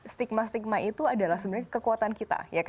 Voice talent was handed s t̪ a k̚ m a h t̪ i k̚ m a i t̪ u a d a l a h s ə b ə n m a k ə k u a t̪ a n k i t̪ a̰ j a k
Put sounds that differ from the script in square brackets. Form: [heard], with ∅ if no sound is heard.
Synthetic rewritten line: s t̪ [i] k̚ m a [s] t̪ i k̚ m a i t̪ u a d a l a h s ə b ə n [ɲ] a k ə k u a t̪ a n k i t̪ a̰ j a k